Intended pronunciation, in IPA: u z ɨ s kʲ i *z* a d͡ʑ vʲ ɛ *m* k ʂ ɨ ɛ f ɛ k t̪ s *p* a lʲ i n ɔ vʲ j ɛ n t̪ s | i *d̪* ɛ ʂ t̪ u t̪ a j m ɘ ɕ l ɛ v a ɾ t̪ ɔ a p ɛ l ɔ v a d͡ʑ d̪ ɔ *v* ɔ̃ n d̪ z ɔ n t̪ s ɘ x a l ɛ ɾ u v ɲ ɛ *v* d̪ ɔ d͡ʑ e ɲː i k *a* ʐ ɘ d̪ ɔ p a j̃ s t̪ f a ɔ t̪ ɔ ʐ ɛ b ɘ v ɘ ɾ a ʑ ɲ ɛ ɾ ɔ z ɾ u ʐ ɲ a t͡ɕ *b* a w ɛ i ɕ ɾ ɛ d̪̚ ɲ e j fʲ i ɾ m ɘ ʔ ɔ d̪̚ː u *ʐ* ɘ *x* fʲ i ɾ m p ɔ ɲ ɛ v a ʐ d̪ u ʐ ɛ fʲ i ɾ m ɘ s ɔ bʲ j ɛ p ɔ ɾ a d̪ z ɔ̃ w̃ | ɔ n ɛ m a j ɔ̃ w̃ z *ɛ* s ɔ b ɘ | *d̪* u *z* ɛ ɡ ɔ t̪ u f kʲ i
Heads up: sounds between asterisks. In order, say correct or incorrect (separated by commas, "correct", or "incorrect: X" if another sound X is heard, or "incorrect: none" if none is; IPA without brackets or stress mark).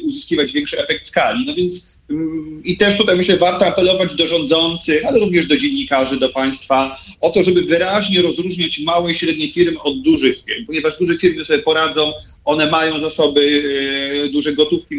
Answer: incorrect: v, incorrect: ŋ, incorrect: k, incorrect: t̪, incorrect: ʐ, incorrect: ʐ, correct, incorrect: m, correct, correct, incorrect: a, correct, incorrect: ʐ